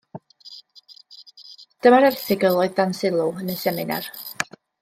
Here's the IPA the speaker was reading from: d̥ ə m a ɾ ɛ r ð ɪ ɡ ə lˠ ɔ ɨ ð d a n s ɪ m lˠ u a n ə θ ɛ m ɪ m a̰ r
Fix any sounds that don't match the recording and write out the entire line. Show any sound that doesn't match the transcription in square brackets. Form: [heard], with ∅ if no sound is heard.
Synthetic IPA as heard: d̥ ə m a ɾ ɛ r [θ] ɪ ɡ ə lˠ ɔ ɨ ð d a n s ɪ [∅] lˠ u [ə] n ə [s] ɛ m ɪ [n] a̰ r